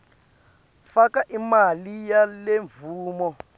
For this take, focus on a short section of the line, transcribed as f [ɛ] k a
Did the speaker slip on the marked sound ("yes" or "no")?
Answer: yes